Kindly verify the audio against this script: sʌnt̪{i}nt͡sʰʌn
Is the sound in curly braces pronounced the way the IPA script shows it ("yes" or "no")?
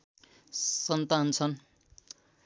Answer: no